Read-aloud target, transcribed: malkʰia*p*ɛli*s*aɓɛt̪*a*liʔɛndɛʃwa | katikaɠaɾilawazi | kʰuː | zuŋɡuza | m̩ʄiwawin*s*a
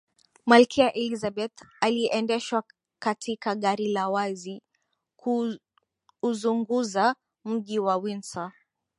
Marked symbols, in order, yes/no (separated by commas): no, no, yes, yes